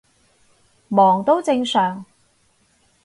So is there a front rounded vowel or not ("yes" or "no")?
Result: yes